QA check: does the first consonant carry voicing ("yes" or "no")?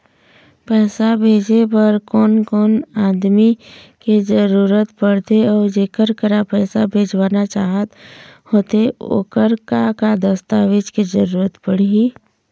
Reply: no